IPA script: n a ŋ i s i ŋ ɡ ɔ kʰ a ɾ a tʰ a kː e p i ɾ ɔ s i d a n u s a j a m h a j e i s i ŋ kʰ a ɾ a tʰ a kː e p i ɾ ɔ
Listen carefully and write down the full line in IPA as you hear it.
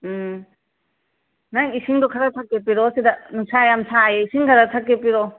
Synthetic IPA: n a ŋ i s i ŋ d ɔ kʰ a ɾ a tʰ a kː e p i ɾ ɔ s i d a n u s a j a m s a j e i s i ŋ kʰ a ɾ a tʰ a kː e p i ɾ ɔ